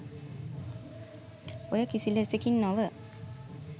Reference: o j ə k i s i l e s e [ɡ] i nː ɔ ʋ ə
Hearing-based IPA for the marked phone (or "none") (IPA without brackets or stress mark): k